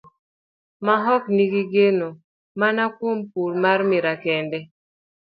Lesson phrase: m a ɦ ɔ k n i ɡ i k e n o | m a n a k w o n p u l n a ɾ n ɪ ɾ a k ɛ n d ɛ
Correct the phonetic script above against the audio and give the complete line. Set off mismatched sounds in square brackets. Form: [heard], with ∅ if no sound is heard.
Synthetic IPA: m a ɦ ɔ k n i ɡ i [ɡ] e n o | m a n a k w o [m] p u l [m] a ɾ [m] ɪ ɾ a k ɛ n d ɛ